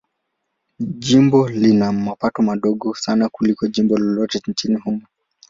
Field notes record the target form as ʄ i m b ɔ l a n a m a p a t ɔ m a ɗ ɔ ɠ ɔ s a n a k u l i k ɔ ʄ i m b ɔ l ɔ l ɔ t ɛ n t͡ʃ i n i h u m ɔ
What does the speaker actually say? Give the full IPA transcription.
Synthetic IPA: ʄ i m b ɔ l i n a m a p a t ɔ m a ɗ ɔ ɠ ɔ s a n a k u l i k ɔ ʄ i m b ɔ l ɔ l ɔ t ɛ n t͡ʃ i n i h u m ɔ

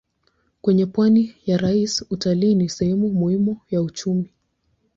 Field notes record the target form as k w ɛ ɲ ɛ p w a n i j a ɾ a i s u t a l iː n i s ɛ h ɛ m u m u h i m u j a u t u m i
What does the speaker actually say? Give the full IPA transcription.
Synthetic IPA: k w ɛ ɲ ɛ p w a n i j a ɾ a i s u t a l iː n i s ɛ h ɛ m u m u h i m u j a u t͡ʃ u m i

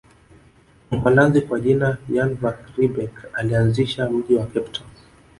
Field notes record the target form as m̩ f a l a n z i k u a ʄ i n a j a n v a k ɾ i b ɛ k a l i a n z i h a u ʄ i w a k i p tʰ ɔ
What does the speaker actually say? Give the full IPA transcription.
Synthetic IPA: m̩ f a l a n z i k w a ʄ i n a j a n v a k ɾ i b ɛ k a l i a n z i ʃ a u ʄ i w a k ɛ p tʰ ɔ

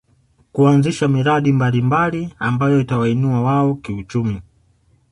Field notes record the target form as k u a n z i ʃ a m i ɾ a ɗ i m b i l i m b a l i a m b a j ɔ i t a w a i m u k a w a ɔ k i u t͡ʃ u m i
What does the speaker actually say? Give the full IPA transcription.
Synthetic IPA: k u a n z i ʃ a m i ɾ a ɗ i m b a l i m b a l i a m b a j ɔ i t a w a i n u a w a ɔ k i u t͡ʃ u m i

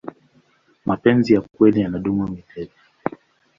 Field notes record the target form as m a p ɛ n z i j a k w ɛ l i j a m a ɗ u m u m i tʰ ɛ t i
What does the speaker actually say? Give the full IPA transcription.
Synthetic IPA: m a p ɛ n z i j a k w ɛ l i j a n a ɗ u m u m i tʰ ɛ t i

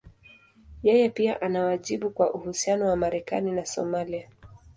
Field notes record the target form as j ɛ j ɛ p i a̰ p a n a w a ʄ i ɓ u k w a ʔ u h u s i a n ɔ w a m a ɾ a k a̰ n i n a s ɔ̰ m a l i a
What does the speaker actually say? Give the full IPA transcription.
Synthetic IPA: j ɛ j ɛ p i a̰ ʔ a n a w a ʄ i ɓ u k w a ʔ u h u s i a n ɔ w a m a ɾ ɛ k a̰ n i n a s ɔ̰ m a l i a

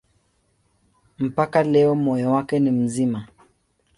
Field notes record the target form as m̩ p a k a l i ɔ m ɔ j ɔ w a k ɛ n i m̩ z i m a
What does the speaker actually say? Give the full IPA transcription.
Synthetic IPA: m̩ p a k a l ɛ ɔ m ɔ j ɔ w a k ɛ n i m̩ z i m a

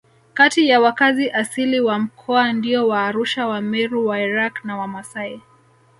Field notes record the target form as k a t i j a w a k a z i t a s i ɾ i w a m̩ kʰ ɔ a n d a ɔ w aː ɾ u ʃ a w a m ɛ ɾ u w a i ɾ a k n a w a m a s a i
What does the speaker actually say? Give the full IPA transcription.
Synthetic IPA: k a t i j a w a k a z i ʔ a s i l i w a m̩ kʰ ɔ a n d i ɔ w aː ɾ u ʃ a w a m ɛ ɾ u w a i ɾ a k n a w a m a s a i

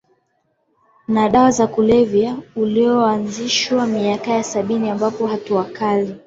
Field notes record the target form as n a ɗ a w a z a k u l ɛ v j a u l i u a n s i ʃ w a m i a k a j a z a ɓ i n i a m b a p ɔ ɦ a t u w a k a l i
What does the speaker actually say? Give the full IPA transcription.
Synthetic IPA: n a ɗ a w a z a k u l ɛ v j a u l i ɔ a n z i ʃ w a m i a k a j a s a ɓ i n i a m b a p ɔ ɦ a t u w a k a l i

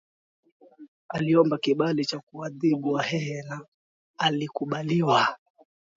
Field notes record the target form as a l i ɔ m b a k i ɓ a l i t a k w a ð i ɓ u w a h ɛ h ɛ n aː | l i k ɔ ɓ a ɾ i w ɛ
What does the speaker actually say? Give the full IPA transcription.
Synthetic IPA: a l i ɔ m b a k i ɓ a l i t͡ʃ a k u a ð i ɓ u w a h ɛ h ɛ n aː | l i k u ɓ a l i w a

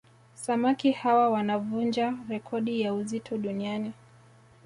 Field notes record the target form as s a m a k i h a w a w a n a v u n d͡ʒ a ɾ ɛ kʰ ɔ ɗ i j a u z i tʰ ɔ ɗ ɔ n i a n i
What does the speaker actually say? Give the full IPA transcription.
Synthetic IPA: s a m a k i h a w a w a n a v u n d͡ʒ a ɾ ɛ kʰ ɔ ɗ i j a u z i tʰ ɔ ɗ u n i a n i

